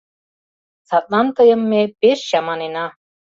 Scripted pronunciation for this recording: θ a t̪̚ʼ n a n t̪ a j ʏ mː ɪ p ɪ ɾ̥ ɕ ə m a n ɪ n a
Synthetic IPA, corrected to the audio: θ a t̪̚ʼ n a n t̪ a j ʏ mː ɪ p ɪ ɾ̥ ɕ a m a n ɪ n a